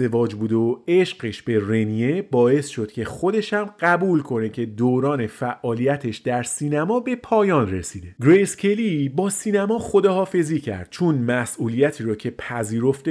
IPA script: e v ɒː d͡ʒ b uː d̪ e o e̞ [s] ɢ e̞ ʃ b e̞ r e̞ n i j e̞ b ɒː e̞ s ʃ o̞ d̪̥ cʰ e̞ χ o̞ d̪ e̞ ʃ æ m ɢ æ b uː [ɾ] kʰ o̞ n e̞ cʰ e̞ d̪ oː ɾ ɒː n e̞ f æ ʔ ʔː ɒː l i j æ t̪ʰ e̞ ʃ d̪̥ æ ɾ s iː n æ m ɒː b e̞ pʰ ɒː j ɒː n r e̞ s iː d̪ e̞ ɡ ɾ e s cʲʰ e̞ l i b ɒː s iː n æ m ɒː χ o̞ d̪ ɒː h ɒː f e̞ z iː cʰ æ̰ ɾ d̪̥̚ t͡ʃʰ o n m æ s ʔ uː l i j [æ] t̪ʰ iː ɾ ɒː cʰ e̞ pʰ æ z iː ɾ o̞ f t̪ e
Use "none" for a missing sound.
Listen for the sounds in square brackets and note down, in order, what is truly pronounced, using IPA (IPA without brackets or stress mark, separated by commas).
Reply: ʃ, l, æ